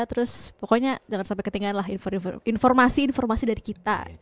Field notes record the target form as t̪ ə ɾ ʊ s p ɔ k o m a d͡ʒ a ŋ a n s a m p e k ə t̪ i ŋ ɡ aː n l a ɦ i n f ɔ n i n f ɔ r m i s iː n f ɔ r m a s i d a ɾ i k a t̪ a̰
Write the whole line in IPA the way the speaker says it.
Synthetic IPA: t̪ ə ɾ ʊ s p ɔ k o ɲ a d͡ʒ a ŋ a n s a m p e k ə t̪ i ŋ ɡ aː n l a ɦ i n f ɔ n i n f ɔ r m a s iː n f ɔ r m a s i d a ɾ i k i t̪ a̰